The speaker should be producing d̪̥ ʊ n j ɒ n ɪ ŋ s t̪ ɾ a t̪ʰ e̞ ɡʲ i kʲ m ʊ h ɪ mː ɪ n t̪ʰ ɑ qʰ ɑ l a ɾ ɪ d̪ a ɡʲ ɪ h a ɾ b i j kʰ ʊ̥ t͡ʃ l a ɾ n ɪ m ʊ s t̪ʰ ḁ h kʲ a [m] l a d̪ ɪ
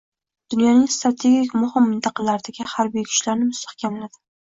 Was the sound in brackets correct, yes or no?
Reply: yes